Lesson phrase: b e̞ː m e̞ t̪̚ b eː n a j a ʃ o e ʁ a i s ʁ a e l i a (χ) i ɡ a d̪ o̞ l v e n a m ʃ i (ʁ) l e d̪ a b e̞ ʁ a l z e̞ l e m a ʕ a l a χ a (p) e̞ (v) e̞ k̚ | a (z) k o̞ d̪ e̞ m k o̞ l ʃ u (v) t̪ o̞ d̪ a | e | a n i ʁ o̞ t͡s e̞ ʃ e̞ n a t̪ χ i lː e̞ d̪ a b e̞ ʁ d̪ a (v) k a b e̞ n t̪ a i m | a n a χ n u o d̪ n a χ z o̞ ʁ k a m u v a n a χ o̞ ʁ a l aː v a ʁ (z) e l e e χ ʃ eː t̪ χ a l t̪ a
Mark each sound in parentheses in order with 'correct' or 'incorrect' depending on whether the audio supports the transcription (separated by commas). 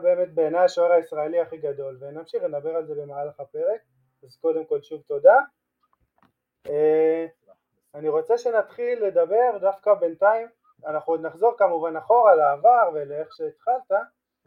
correct, incorrect, correct, incorrect, correct, correct, incorrect, incorrect